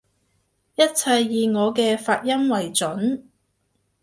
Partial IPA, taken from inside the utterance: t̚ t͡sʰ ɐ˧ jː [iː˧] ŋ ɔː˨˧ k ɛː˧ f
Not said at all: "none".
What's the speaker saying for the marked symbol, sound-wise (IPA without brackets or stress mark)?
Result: iː˧